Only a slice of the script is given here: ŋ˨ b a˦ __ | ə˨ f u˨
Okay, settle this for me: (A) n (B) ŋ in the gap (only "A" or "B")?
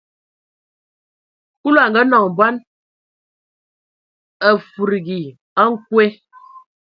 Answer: A